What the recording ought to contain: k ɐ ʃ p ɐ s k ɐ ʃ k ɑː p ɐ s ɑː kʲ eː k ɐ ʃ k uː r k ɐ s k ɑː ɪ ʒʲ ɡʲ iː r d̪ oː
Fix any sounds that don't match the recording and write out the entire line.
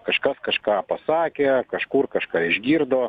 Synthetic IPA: k ɐ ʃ k ɐ s k ɐ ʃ k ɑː p ɐ s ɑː kʲ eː k ɐ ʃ k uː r k ɐ ʃ k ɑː ɪ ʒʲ ɡʲ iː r d̪ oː